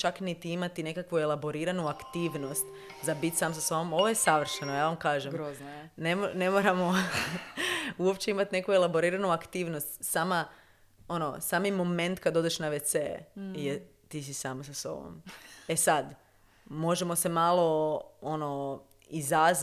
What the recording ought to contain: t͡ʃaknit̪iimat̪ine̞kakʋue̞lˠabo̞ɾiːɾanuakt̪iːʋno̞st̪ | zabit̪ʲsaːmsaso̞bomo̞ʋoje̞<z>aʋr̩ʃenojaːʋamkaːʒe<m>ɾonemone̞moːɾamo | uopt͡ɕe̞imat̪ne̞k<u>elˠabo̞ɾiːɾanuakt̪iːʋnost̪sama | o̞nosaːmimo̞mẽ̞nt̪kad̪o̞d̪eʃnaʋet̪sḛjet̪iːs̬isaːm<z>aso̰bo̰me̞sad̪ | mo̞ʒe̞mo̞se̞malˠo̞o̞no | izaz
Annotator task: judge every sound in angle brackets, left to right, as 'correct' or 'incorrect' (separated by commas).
incorrect, correct, correct, incorrect